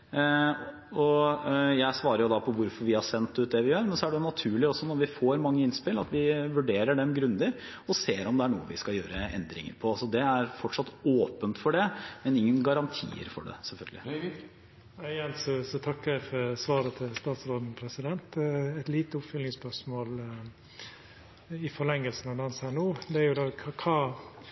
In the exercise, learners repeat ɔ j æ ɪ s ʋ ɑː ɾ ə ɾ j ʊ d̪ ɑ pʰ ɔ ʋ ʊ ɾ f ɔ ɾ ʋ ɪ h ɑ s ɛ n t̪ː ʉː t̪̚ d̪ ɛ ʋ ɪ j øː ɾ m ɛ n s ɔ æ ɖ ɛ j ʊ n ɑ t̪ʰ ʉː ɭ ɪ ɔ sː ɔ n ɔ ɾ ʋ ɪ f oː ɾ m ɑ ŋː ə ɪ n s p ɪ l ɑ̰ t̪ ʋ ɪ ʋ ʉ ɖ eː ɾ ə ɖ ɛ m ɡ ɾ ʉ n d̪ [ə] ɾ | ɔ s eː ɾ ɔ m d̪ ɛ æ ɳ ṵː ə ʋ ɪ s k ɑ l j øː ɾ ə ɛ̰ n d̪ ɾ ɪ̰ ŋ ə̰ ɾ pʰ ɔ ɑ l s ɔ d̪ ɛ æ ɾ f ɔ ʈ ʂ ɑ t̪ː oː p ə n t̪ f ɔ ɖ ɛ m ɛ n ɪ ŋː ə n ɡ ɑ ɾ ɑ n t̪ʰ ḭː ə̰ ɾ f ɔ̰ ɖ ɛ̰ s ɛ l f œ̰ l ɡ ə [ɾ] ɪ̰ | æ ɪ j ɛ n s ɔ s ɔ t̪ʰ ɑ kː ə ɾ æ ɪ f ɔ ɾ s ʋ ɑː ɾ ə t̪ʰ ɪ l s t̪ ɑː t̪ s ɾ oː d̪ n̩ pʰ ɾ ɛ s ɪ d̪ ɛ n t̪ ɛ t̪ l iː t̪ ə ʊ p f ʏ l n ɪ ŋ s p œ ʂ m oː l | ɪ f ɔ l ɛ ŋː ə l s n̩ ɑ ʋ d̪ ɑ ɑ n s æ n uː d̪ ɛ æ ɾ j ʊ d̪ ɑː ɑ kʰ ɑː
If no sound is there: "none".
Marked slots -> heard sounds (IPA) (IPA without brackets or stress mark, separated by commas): ə, l